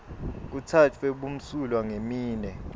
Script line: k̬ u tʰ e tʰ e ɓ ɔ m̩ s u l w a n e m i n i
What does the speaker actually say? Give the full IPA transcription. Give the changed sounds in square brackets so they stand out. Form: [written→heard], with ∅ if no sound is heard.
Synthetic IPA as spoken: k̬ u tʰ [e→a] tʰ e ɓ [ɔ→u] m̩ s u l w a [n→ŋ] e m [i→iː] n [i→ɛ]